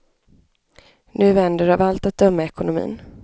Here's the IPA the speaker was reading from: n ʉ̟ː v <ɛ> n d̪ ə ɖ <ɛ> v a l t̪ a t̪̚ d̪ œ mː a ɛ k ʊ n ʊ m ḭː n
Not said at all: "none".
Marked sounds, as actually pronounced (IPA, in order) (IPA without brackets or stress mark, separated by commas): ɛ, a